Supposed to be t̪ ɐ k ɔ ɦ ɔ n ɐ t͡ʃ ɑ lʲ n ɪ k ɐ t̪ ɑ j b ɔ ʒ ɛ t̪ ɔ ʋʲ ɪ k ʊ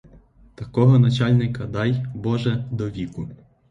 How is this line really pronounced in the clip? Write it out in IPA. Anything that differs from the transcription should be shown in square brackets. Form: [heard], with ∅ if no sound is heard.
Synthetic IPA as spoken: t̪ ɐ k ɔ ɦ ɔ n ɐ t͡ʃ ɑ lʲ n ɪ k ɐ [d̪] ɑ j b ɔ ʒ ɛ [d̪] ɔ ʋʲ [i] k ʊ